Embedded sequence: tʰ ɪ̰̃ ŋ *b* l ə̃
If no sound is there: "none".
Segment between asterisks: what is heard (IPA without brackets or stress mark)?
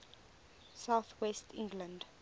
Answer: ɡ